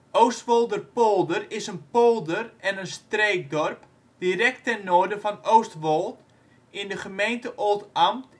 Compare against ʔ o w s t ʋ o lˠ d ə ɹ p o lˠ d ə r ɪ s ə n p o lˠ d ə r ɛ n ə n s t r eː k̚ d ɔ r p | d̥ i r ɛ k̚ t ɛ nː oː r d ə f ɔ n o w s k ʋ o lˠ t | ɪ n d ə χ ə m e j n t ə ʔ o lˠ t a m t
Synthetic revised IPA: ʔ o w s t ʋ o lˠ d ə r p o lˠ d ə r ɪ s ə n p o lˠ d ə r ɛ n ə n s t r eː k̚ d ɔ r p | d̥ i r ɛ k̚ t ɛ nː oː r d ə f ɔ n o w s t ʋ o lˠ t | ɪ n d ə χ ə m e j n t ə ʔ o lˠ t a m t